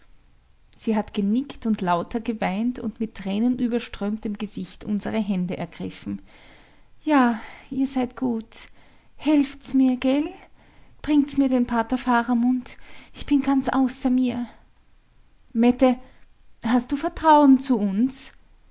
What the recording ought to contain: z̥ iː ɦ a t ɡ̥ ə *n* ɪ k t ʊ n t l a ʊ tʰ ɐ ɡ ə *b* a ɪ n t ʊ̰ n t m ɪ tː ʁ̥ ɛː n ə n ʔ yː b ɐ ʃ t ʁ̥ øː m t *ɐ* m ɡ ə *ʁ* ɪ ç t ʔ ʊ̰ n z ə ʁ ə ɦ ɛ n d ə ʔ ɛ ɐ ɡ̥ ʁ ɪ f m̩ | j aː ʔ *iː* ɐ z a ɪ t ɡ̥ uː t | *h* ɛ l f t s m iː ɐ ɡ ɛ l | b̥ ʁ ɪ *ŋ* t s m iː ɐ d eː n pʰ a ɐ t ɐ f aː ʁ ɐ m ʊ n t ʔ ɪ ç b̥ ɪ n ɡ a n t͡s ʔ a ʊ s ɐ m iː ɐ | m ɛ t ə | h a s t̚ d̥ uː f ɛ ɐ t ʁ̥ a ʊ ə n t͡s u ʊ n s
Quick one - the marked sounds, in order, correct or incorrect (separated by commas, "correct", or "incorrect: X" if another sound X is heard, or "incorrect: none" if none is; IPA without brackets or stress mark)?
correct, incorrect: v, incorrect: ə, incorrect: z, correct, correct, correct